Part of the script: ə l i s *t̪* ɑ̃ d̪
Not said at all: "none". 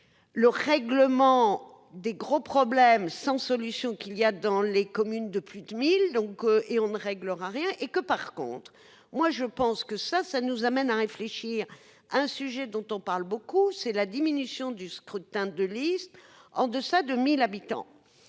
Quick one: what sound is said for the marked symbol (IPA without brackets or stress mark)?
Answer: t̪